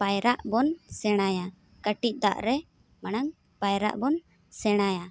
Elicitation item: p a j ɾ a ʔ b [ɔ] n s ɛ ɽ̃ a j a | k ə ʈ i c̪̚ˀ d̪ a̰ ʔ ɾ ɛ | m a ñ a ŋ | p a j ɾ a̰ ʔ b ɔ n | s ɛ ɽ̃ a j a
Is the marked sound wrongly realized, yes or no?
no